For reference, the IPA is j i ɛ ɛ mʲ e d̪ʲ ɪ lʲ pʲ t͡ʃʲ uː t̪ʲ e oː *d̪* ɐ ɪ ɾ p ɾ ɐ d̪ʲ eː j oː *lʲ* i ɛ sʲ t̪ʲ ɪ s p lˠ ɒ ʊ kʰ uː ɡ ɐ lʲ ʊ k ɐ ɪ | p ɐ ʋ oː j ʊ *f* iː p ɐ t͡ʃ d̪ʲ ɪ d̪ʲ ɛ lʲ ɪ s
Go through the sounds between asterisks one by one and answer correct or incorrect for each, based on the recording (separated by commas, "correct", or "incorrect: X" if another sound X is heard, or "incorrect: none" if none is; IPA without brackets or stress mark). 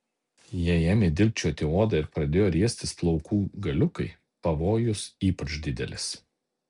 correct, incorrect: ɾʲ, incorrect: s